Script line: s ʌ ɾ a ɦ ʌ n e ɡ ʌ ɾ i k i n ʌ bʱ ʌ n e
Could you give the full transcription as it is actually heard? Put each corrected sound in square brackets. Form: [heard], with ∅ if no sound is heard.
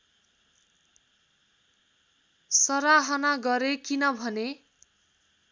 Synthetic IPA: s ʌ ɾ a ɦ ʌ n [a] ɡ ʌ ɾ [e] k i n ʌ bʱ ʌ n e